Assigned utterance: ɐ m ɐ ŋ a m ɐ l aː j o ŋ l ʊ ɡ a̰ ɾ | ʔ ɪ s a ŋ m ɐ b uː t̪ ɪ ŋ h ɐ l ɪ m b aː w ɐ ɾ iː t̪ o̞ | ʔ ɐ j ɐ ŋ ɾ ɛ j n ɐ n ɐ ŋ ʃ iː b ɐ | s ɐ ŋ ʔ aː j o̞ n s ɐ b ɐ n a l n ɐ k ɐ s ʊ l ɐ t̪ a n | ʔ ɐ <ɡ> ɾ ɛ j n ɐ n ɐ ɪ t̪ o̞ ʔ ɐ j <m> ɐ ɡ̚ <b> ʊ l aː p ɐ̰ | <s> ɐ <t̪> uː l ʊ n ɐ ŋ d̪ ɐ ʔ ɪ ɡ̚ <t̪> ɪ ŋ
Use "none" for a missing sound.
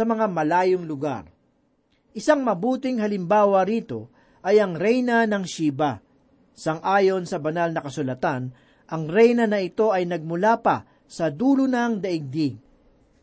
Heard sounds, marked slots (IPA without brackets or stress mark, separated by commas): ŋ, n, m, s, d̪, d̪